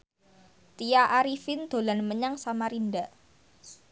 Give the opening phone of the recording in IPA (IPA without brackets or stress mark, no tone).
t̪